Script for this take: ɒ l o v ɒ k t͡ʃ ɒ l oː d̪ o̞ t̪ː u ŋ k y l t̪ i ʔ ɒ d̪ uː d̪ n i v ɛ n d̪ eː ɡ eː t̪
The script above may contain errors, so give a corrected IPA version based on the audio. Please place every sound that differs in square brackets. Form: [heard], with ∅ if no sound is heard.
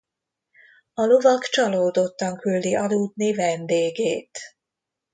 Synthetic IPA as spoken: ɒ l o v ɒ k t͡ʃ ɒ l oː d̪ o̞ t̪ː [ɒ] ŋ k y l [d̪] i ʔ ɒ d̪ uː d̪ n i v ɛ n d̪ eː ɡ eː t̪